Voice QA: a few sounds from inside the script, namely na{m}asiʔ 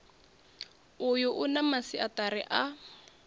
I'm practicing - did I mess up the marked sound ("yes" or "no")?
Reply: no